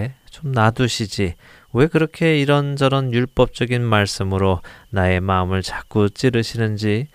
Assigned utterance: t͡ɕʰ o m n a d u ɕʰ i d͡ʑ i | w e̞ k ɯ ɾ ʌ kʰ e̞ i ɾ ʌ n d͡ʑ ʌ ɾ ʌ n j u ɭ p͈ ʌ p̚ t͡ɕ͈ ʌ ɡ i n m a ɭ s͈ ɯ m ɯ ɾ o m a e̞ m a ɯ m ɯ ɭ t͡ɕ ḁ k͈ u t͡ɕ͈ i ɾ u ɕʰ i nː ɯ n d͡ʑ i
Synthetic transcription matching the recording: t͡ɕ o m n a d u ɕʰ i d͡ʑ i | w e̞ k ɯ ɾ ʌ kʰ e̞ i ɾ ʌ n d͡ʑ ʌ ɾ ʌ n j u ɭ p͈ ʌ p̚ t͡ɕ͈ ʌ ɡ i n m a ɭ s͈ ɯ m ɯ ɾ o n a e̞ m a ɯ m ɯ ɭ t͡ɕ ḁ k͈ u t͡ɕ͈ i ɾ ɯ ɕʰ i n ɯ n d͡ʑ i